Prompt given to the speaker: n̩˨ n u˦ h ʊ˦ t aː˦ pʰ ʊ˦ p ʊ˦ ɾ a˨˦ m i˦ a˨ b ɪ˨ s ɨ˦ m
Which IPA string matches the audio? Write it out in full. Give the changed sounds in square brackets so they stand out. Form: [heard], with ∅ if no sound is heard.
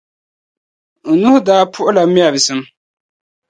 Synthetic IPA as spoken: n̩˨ n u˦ h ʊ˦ [d] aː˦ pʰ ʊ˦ [ʔ] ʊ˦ [l] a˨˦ m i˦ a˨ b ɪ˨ s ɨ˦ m

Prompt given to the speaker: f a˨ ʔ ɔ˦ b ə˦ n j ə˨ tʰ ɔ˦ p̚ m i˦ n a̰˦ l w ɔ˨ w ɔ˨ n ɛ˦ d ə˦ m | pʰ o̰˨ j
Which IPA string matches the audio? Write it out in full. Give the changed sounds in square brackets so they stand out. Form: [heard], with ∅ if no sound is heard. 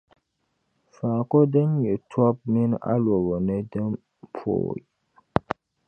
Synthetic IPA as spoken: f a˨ [k] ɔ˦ [d] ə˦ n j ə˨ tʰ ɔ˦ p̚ m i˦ n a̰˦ l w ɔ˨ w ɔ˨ n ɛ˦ d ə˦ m | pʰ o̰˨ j

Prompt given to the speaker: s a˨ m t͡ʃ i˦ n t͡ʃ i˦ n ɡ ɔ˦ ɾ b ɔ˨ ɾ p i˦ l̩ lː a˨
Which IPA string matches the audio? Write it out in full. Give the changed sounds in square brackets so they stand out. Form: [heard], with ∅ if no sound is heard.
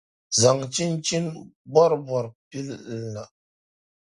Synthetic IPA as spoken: [z] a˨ [ŋ] t͡ʃ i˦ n t͡ʃ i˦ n [b] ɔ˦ ɾ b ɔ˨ ɾ p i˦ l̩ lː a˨

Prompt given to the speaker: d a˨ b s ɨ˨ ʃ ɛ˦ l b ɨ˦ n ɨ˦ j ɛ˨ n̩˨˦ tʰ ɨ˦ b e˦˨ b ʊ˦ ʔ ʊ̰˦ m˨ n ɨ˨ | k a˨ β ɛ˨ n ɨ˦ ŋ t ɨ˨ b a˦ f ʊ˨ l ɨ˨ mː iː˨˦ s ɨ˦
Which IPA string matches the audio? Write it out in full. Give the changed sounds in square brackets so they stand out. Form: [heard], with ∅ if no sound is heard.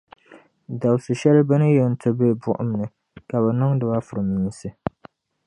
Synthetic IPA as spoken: d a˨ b s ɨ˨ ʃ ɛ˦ l b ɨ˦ n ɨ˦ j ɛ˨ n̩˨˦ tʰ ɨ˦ b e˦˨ b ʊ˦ ʔ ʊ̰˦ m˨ n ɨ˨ | k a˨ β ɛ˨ n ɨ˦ ŋ [d] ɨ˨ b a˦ f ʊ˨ [ɾ] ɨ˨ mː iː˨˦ s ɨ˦

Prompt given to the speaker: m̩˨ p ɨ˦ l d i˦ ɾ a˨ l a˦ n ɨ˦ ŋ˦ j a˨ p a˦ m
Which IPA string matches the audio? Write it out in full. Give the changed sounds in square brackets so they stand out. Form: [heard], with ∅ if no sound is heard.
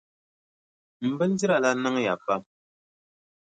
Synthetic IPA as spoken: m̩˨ [b] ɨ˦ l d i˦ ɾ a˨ l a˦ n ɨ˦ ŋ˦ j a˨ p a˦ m

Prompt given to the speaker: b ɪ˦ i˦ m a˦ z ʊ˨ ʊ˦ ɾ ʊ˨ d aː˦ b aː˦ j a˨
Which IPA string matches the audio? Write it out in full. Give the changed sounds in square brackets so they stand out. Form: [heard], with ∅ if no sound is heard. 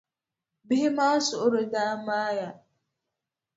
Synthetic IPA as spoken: b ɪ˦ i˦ m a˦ [s] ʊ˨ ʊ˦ ɾ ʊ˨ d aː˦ [m] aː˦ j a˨

